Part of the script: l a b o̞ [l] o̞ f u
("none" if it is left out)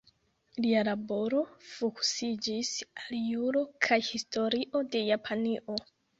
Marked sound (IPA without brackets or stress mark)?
ɾ